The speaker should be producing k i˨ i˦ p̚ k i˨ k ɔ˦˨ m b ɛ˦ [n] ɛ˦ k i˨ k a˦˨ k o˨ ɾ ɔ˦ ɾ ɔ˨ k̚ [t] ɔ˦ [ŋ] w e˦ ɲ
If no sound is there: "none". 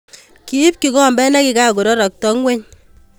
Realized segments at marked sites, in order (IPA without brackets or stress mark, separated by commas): n, t, ŋ